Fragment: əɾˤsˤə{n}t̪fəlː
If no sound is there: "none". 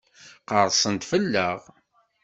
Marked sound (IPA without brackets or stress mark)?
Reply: n